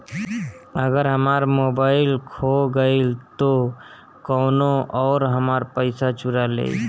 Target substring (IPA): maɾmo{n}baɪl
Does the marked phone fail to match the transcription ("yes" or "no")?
yes